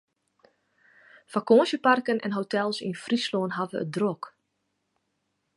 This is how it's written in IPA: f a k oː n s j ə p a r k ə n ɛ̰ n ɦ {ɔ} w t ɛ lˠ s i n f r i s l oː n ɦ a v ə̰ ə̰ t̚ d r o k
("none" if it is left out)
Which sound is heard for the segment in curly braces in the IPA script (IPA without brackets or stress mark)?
o